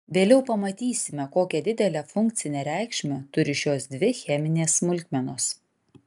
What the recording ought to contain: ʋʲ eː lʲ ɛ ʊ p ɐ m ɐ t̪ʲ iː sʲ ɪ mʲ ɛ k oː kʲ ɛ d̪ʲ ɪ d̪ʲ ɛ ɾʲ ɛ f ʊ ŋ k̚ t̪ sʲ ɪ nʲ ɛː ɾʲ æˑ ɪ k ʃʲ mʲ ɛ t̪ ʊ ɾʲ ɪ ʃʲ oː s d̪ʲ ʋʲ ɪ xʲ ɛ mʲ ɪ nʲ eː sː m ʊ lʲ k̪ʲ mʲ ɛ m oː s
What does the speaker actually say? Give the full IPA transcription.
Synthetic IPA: ʋʲ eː lʲ ɛ ʊ p ɐ m ɐ t̪ʲ iː sʲ ɪ mʲ ɛ k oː kʲ ɛ d̪ʲ ɪ d̪ʲ ɛ lʲ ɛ f ʊ ŋ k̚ t̪ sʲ ɪ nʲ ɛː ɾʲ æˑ ɪ k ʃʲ mʲ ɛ t̪ ʊ ɾʲ ɪ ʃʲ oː s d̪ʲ ʋʲ ɪ xʲ ɛ mʲ ɪ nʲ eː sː m ʊ lʲ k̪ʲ mʲ ɛ n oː s